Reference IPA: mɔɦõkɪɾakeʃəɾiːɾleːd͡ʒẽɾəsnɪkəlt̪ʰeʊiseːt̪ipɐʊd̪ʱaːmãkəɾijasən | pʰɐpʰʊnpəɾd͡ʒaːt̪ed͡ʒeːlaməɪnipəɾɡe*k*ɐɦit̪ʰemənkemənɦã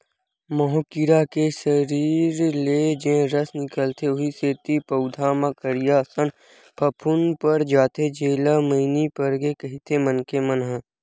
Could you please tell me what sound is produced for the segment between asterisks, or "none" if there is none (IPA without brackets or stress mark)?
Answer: k